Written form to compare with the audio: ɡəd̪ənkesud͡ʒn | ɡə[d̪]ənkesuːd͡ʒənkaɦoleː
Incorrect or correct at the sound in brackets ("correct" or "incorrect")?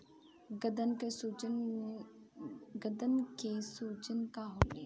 correct